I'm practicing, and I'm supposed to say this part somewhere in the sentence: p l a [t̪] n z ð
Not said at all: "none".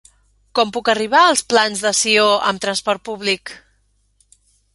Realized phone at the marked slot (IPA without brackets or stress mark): none